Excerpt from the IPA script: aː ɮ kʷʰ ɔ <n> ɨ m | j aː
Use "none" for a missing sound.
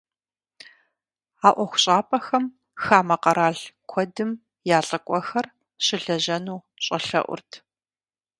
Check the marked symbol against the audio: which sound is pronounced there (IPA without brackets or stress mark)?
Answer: d